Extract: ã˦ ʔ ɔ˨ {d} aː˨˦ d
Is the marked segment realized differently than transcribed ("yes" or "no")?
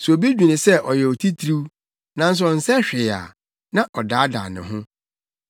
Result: no